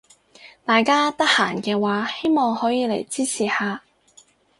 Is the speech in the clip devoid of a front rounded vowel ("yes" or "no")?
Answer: yes